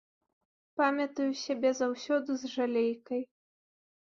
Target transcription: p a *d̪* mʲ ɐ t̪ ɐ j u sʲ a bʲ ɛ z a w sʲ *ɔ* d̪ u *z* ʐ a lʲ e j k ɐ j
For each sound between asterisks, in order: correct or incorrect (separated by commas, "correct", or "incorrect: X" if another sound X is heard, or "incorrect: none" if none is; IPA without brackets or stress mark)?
incorrect: none, correct, correct